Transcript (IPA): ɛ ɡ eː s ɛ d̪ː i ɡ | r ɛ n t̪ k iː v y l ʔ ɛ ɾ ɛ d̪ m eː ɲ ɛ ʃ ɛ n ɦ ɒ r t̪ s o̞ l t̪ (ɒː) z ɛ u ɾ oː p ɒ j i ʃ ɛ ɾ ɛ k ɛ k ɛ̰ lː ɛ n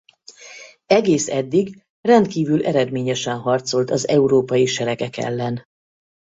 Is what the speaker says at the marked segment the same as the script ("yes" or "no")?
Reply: no